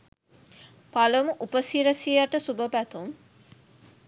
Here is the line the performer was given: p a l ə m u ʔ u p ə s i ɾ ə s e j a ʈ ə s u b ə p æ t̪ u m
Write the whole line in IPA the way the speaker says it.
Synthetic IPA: p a l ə m u ʔ u p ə s i ɾ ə s i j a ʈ ə s u b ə p æ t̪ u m